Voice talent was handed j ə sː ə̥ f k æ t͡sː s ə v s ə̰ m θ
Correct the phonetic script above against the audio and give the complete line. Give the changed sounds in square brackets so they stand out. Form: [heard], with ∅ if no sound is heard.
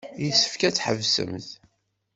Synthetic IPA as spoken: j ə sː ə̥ f k æ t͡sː [ħ] ə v s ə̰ m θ